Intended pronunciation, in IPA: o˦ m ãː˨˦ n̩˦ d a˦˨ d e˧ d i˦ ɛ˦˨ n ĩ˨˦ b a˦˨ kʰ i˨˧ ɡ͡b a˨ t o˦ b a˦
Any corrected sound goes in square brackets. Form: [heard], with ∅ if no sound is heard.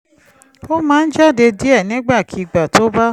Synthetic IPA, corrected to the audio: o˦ m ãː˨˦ n̩˦ [d͡ʒ] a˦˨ d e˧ d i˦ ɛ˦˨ n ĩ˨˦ [ɡ͡b] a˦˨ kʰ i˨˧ ɡ͡b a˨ t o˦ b a˦